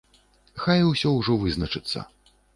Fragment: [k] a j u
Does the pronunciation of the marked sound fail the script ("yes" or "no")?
yes